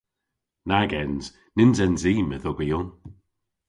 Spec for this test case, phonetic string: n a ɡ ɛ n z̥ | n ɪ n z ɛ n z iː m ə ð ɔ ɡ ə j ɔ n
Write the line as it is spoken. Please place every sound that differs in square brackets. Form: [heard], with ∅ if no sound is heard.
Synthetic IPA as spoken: n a ɡ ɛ n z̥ | n ɪ n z ɛ n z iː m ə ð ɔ ɡ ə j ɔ n